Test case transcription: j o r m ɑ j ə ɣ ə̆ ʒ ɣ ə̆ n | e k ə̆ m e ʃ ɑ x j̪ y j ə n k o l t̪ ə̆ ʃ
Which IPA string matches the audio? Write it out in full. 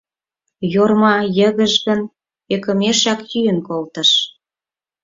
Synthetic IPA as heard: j o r m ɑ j ə ɣ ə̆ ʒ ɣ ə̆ n | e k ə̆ m e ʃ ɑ k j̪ y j ə n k o l t̪ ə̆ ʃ

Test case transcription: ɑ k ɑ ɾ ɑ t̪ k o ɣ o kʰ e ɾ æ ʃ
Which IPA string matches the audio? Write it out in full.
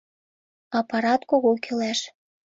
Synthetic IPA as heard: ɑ p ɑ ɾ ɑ t̪ k o ɣ o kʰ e l æ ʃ

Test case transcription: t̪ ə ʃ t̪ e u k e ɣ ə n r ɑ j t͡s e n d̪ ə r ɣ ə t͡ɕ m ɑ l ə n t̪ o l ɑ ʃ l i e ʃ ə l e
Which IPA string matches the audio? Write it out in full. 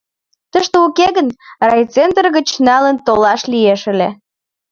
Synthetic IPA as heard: t̪ ə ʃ t̪ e u k e ɣ ə n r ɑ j t͡s e n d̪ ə r ɣ ə t͡ɕ n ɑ l ə n t̪ o l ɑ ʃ l i e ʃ ə l e

